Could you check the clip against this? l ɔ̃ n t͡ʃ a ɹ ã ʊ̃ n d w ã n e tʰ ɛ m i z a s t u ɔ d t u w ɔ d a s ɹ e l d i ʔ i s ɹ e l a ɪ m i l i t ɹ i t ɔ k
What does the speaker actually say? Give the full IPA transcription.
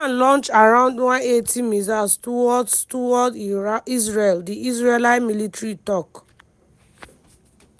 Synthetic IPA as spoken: l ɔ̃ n t͡ʃ a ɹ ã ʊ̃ n d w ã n e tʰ i m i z a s t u ɔ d t u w ɔ d i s ɹ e l d i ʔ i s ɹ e l a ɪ m i l i t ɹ i t ɔ k

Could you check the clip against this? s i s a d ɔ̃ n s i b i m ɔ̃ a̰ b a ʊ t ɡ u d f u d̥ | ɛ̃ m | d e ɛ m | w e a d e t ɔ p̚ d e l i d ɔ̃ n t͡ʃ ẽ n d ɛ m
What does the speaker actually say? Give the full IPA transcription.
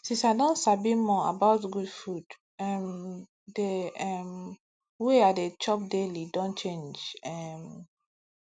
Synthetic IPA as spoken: s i s a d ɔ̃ n s a b i m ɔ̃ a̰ b a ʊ t ɡ u d f u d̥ | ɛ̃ m | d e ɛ m | w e a d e t͡ʃ ɔ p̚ d e l i d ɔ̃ n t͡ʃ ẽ n d͡ʒ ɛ m

